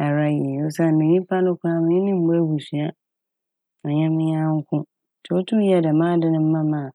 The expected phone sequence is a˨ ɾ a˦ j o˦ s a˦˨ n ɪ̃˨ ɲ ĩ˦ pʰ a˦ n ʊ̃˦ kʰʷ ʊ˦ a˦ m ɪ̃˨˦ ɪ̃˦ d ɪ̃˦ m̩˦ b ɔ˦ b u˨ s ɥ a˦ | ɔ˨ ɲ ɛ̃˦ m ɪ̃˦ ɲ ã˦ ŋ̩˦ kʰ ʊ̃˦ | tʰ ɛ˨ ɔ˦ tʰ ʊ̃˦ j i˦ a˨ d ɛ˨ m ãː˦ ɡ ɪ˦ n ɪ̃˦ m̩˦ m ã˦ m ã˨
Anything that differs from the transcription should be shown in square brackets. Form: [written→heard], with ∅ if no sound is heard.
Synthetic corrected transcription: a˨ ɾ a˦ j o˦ s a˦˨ n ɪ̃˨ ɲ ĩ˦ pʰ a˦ n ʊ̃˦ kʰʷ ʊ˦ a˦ m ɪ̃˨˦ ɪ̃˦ [d→n] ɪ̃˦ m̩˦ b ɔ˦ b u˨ s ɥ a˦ | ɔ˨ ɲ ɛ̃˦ m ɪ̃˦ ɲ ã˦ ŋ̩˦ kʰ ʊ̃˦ | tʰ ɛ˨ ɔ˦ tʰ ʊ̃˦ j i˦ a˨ d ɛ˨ m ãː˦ [ɡ→d] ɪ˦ n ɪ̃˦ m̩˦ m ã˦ m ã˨